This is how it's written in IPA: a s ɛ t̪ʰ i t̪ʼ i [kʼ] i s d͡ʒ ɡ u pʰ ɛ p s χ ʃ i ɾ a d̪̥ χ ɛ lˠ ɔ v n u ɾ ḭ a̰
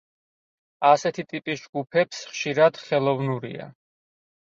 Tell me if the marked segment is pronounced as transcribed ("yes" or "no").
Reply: no